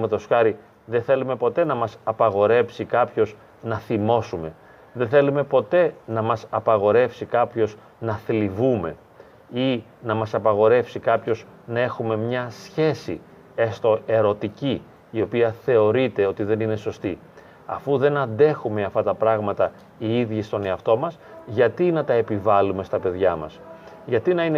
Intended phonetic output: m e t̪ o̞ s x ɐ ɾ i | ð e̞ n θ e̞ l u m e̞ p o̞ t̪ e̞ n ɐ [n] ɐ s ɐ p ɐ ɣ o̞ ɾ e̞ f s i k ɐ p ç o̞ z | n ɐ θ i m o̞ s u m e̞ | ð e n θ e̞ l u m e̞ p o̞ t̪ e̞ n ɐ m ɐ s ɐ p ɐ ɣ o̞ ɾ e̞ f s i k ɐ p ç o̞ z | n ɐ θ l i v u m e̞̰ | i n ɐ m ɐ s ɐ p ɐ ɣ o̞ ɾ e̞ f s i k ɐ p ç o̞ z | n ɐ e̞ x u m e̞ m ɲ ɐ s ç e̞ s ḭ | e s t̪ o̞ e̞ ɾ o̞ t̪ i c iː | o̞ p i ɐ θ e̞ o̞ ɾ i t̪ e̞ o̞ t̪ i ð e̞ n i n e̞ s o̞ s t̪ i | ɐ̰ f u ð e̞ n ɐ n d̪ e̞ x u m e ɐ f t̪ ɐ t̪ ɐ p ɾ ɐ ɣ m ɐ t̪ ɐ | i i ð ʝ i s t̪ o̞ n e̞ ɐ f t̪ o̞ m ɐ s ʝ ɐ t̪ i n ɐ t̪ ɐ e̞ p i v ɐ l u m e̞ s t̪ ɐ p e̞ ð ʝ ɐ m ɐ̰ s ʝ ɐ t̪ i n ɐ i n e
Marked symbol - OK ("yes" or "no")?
no